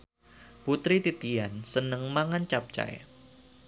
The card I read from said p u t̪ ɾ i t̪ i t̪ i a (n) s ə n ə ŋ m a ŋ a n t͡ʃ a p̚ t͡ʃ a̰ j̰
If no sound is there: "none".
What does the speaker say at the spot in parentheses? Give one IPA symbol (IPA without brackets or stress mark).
n